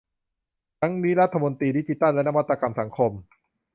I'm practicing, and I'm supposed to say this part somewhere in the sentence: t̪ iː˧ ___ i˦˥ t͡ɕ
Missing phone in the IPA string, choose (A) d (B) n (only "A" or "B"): A